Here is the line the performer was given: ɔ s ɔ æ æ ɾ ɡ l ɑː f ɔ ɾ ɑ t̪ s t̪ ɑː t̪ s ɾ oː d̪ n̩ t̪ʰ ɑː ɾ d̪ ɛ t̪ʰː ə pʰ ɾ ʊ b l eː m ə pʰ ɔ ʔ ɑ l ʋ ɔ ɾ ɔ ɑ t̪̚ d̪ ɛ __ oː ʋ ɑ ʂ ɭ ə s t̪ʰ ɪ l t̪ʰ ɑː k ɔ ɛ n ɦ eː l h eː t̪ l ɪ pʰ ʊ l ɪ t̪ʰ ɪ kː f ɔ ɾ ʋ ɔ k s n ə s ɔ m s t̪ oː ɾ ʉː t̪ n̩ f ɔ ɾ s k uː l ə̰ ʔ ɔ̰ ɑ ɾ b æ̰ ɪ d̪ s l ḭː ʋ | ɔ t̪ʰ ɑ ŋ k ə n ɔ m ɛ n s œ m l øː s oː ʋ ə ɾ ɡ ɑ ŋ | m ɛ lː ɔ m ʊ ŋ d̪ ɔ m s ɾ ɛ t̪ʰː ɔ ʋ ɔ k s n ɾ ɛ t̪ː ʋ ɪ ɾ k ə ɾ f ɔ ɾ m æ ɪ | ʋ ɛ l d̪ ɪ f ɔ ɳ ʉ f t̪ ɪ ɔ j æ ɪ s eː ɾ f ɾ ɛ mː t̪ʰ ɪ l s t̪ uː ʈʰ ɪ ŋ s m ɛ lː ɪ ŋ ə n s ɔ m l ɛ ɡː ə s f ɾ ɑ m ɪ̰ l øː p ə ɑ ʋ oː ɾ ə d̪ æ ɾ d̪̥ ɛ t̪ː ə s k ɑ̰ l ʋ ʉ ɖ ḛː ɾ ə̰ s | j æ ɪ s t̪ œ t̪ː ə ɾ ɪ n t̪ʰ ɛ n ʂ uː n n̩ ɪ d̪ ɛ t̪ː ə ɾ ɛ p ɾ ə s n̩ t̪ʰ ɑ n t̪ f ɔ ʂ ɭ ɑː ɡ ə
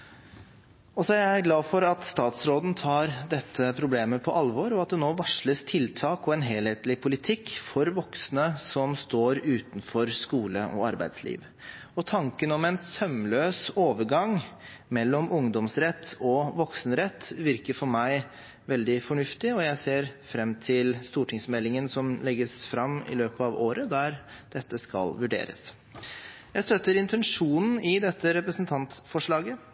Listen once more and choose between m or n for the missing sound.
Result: n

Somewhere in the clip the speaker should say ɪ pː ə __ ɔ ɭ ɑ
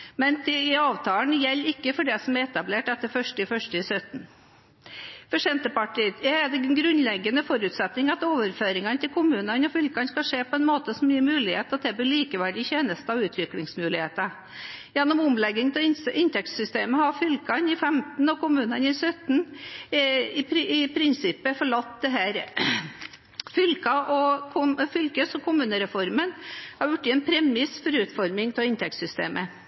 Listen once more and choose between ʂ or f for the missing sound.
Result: f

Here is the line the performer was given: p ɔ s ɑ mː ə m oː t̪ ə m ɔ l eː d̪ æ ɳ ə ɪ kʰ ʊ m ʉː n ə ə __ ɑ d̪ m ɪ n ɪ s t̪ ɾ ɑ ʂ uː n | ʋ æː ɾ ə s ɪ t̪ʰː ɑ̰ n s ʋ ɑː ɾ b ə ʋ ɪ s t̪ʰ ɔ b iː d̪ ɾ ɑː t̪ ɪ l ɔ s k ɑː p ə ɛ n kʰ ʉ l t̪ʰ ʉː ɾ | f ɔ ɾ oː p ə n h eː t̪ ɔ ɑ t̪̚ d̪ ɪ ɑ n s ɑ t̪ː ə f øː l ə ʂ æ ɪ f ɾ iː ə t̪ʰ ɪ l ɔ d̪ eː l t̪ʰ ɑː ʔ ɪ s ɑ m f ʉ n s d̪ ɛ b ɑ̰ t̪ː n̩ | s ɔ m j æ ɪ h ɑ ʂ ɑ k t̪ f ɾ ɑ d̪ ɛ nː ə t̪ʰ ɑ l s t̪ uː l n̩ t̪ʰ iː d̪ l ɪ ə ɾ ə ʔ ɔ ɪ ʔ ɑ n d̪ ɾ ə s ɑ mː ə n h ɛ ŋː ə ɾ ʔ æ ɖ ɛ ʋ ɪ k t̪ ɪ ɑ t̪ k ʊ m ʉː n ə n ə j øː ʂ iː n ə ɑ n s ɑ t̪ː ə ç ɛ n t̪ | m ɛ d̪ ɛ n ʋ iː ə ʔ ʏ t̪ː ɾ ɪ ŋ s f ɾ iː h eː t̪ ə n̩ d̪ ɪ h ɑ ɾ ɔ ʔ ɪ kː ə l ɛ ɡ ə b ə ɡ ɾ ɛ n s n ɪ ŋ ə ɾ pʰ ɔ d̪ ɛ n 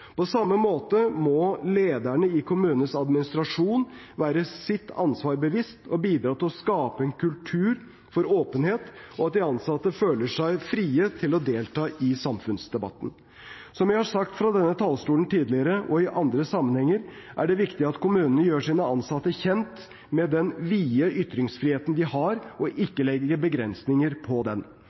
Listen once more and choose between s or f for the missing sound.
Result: s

